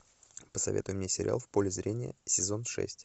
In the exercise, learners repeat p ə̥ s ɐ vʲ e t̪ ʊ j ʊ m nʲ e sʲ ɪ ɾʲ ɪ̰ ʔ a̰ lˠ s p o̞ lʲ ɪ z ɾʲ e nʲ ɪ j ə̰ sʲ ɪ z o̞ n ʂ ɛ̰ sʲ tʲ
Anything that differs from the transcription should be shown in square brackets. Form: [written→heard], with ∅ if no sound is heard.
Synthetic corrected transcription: p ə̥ s ɐ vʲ e t̪ ʊ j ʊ m nʲ e sʲ ɪ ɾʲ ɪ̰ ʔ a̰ lˠ [s→f] p o̞ lʲ ɪ z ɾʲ e nʲ ɪ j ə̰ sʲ ɪ z o̞ n ʂ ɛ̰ sʲ tʲ